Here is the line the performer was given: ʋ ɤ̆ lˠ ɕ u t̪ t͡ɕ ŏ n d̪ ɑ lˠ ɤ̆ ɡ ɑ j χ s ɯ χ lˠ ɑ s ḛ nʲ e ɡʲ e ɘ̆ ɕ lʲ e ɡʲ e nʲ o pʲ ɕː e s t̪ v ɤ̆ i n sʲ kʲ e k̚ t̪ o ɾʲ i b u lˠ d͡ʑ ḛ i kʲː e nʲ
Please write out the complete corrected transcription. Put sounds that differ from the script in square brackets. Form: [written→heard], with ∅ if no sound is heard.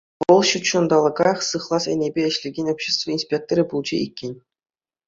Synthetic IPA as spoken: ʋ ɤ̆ lˠ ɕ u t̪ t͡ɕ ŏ n d̪ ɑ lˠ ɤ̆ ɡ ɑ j χ s ɯ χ lˠ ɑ s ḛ nʲ e [ɡʲ→bʲ] e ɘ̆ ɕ lʲ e ɡʲ e nʲ o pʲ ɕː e s t̪ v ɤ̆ i n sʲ [kʲ→pʲ] e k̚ t̪ o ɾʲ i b u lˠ d͡ʑ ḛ i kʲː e nʲ